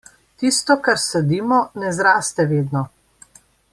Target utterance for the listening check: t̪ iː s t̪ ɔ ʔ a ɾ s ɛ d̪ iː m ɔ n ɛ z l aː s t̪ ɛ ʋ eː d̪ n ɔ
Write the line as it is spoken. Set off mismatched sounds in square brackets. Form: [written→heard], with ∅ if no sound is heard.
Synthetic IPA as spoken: t̪ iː s t̪ ɔ [ʔ→k] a ɾ s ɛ d̪ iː m ɔ n ɛ z [l→ɾ] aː s t̪ ɛ ʋ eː d̪ n ɔ